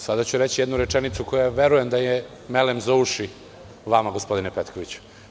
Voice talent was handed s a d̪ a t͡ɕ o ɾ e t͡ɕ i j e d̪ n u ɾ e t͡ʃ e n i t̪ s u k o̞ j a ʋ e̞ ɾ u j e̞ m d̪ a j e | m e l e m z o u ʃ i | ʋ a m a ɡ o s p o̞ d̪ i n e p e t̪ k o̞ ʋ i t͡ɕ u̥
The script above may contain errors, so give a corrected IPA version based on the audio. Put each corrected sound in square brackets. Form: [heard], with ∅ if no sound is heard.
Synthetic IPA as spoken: s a d̪ a t͡ɕ [u] ɾ e t͡ɕ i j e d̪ n u ɾ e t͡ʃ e n i t̪ s u k o̞ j a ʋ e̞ ɾ u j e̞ m d̪ a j e | m e l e m z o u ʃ i | ʋ a m a ɡ o s p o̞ d̪ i n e p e t̪ k o̞ ʋ i t͡ɕ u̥